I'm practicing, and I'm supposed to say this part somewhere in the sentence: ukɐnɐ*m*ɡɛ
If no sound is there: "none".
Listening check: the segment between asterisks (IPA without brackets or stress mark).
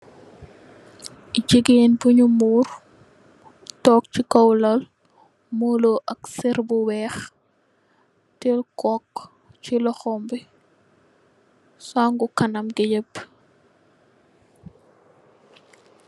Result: m